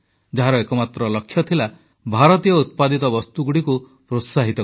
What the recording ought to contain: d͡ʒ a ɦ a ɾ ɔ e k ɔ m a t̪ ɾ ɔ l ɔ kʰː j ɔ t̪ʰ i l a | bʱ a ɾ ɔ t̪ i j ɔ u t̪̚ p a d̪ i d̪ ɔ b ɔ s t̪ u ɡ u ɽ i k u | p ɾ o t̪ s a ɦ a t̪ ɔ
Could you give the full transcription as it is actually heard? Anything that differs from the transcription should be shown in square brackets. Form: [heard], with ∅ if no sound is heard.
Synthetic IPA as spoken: d͡ʒ a ɦ a ɾ ɔ e k ɔ m a t̪ ɾ ɔ l ɔ kʰː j ɔ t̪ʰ i l a | bʱ a ɾ ɔ t̪ i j ɔ u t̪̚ p a d̪ i [t̪] ɔ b ɔ s t̪ u ɡ u ɽ i k u | p ɾ o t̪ s a ɦ [i] t̪ ɔ